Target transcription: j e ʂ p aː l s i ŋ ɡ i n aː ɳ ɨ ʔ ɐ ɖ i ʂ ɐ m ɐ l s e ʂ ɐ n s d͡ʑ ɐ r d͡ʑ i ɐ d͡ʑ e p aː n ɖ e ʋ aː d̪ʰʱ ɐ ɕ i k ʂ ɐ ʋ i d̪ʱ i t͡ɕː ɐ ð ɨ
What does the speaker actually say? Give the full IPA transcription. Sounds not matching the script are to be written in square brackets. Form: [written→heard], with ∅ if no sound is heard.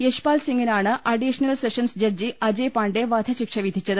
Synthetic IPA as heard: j e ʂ p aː l s i ŋ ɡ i n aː ɳ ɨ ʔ ɐ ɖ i ʂ ɐ [m→n] ɐ l s e ʂ ɐ n s d͡ʑ ɐ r d͡ʑ i ɐ d͡ʑ e p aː [n→ɳ] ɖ e ʋ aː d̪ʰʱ ɐ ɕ i k ʂ ɐ ʋ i d̪ʱ i t͡ɕː ɐ ð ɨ